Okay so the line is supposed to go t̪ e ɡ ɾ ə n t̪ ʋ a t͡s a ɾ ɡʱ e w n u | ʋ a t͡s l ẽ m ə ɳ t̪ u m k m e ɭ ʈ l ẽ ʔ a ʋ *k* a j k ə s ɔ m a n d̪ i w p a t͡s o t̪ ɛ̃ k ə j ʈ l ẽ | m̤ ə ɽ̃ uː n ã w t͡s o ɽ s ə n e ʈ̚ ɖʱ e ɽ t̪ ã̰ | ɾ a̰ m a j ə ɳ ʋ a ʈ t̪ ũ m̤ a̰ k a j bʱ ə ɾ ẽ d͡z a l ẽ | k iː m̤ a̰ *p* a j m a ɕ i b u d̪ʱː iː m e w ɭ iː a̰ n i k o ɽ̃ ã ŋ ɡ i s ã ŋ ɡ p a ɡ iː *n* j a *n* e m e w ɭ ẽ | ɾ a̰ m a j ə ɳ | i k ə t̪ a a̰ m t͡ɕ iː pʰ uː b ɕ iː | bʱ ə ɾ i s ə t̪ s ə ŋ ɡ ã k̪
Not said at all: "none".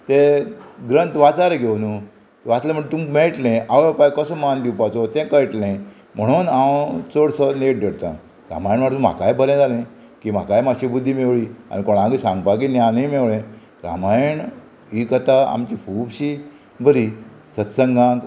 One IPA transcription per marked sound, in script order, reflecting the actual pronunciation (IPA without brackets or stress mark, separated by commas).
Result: p, k, n, n